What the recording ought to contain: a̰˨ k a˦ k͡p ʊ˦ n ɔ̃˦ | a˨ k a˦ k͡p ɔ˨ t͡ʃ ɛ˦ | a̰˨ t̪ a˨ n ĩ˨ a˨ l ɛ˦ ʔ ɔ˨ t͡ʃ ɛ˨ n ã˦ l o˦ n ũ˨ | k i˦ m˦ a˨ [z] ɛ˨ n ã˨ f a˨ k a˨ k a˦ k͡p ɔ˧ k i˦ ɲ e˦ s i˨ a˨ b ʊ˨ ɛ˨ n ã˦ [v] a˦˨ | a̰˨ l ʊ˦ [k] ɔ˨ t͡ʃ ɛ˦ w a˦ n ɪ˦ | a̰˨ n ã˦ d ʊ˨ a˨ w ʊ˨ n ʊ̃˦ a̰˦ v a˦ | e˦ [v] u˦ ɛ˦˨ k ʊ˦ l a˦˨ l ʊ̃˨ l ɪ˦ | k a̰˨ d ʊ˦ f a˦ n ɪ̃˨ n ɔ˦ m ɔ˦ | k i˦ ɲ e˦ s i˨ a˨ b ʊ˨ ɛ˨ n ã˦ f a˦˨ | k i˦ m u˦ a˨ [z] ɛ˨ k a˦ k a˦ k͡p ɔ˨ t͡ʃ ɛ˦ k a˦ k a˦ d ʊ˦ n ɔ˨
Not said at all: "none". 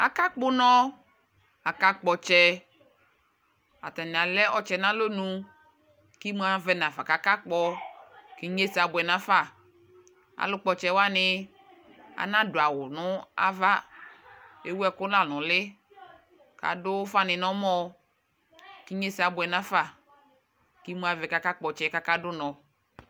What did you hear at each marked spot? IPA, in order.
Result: v, f, k͡p, w, v

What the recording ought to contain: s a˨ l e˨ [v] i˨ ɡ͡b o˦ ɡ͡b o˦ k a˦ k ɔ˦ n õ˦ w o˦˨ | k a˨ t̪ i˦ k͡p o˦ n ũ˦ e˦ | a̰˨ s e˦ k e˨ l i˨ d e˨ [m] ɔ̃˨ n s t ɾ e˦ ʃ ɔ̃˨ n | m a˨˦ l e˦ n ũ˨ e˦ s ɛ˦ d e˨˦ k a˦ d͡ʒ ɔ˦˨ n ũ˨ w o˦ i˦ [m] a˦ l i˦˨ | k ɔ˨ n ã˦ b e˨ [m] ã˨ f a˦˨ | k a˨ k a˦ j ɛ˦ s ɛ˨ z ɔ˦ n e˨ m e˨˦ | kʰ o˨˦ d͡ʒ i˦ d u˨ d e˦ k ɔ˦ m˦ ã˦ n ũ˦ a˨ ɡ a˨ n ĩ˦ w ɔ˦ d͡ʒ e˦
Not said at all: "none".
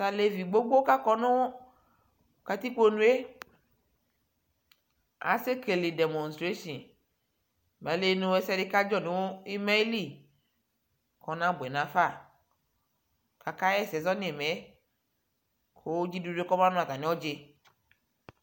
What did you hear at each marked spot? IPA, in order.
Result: v, m, m, n

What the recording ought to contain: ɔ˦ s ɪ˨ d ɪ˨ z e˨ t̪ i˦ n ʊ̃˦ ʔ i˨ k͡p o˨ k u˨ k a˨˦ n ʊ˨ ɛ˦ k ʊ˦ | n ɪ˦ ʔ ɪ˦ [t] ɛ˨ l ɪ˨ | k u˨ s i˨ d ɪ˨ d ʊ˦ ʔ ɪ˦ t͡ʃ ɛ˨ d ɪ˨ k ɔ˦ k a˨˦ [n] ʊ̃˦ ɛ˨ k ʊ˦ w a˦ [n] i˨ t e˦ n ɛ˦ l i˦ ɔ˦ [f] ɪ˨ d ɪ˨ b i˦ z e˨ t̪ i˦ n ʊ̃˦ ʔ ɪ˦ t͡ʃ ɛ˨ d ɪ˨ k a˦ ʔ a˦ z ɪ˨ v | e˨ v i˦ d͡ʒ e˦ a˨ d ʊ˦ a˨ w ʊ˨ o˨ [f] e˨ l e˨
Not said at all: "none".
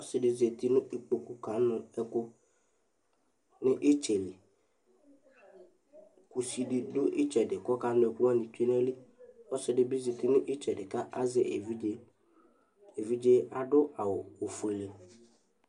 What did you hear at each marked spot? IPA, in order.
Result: t͡ʃ, n, n, s, f

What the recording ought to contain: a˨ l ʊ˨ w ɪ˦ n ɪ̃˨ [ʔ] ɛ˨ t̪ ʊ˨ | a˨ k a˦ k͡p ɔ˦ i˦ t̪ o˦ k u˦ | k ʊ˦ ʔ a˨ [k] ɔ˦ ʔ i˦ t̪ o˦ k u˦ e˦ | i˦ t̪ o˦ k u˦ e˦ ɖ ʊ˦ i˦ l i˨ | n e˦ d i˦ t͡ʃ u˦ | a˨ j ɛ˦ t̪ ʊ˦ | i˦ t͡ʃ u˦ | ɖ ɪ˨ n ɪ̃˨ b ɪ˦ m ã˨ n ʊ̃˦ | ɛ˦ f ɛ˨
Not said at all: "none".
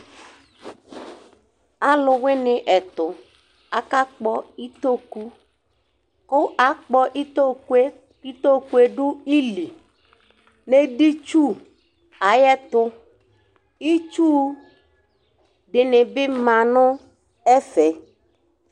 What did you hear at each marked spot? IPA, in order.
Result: ʔ, k͡p

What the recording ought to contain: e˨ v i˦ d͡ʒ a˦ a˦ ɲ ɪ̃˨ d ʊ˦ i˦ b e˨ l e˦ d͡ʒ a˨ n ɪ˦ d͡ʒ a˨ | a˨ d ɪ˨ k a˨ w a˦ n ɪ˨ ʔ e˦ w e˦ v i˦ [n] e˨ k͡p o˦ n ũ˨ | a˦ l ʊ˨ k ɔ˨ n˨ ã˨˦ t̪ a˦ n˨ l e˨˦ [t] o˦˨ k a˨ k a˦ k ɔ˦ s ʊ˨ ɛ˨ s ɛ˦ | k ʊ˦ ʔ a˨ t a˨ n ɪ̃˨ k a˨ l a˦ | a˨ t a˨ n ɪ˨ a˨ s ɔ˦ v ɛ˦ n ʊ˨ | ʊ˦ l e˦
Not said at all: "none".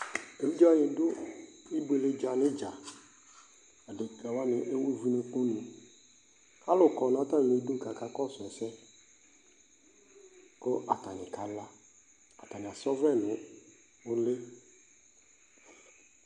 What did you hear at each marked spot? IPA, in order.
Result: n, d

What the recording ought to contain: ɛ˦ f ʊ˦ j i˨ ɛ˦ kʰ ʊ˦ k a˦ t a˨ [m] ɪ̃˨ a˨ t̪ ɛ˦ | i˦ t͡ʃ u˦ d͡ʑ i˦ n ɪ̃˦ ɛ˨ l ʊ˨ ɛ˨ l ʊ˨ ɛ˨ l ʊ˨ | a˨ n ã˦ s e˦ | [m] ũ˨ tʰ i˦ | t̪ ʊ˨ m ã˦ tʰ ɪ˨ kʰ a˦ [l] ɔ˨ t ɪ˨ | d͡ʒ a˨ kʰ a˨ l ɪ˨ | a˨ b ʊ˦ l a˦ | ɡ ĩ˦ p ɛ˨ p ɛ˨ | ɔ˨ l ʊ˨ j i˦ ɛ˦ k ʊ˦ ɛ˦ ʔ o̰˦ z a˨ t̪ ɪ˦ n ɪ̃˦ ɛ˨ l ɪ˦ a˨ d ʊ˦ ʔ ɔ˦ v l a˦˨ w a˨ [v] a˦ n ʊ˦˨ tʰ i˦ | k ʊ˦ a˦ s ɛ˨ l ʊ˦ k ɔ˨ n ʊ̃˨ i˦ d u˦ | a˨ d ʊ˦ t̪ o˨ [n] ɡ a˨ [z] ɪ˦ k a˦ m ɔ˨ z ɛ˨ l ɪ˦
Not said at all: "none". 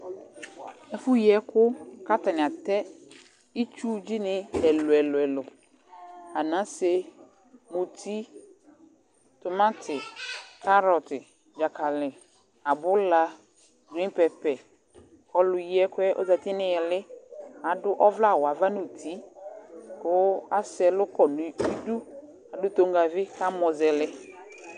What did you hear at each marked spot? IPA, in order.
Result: n, m, ɾ, v, ŋ, v

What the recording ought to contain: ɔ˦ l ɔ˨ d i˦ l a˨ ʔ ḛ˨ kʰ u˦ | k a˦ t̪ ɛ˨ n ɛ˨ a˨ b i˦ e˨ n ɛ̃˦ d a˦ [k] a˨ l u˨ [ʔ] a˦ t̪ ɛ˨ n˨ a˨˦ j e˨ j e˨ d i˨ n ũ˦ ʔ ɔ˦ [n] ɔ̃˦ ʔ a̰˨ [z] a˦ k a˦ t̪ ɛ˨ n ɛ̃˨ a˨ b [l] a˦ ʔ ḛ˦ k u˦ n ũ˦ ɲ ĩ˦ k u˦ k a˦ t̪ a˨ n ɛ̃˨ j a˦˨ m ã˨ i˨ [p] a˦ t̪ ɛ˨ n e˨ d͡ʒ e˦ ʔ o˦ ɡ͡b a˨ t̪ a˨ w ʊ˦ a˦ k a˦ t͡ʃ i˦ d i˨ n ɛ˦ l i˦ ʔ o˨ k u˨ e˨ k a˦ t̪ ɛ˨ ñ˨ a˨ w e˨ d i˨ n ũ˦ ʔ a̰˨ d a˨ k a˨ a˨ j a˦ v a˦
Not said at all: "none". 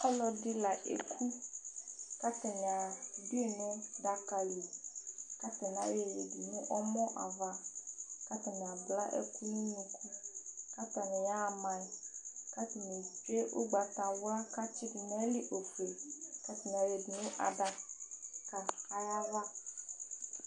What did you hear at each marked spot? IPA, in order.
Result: k, k, m, v, l, k

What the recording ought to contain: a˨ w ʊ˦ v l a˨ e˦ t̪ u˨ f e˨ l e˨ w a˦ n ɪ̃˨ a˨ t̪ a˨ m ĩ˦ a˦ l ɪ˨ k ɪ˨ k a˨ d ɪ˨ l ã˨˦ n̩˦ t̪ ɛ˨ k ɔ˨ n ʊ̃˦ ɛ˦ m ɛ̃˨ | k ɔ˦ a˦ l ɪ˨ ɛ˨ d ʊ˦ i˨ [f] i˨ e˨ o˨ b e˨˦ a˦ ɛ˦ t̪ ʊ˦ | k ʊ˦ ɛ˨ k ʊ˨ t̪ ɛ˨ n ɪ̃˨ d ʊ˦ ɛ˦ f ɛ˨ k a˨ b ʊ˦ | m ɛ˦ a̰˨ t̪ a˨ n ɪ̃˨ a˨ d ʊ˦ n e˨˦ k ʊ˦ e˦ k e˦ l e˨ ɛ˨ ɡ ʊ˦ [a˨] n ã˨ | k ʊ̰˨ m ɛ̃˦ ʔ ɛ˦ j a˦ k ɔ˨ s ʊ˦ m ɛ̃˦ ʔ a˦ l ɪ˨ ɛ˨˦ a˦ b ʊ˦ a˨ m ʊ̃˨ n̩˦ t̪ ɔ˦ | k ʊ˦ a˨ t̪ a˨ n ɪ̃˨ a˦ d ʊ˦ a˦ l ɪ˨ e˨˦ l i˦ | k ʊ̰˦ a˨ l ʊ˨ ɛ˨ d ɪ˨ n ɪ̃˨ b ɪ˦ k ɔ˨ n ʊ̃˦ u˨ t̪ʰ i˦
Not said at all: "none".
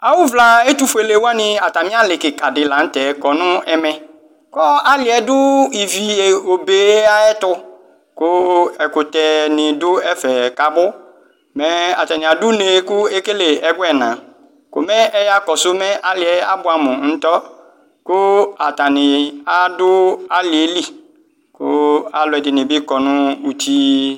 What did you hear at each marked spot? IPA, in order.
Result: v, ɛ˨

